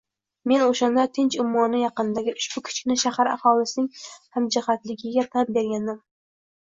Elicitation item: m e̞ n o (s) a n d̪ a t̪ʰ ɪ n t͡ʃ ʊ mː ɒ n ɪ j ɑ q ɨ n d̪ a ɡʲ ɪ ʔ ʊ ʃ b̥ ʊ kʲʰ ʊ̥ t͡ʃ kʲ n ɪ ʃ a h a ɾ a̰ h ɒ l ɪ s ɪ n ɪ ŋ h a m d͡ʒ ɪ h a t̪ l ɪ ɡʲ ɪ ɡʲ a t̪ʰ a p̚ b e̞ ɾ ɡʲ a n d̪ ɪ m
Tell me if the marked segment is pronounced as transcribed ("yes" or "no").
no